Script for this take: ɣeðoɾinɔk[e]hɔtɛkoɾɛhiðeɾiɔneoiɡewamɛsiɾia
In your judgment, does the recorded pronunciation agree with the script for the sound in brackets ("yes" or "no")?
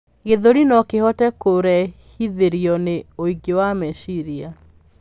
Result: yes